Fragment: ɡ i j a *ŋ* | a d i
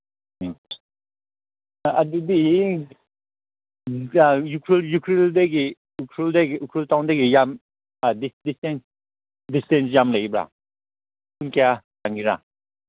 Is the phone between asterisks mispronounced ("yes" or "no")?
yes